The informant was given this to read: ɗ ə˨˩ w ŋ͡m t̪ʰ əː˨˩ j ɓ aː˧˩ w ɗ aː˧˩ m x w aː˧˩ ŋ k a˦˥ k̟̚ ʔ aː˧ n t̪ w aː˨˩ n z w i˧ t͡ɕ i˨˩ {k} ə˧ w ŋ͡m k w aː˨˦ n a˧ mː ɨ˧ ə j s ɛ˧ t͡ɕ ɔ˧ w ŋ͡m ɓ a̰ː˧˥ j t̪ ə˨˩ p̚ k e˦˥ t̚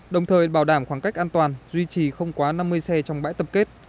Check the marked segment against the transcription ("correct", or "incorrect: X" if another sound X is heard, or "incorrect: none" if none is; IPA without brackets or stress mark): incorrect: x